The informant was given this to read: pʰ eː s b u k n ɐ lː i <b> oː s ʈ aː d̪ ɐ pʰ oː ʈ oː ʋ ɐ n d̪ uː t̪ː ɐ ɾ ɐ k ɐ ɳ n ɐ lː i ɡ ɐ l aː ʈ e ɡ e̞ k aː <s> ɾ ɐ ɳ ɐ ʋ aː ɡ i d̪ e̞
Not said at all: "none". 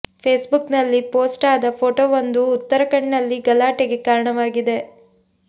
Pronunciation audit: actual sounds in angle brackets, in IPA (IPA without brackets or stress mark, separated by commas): p, none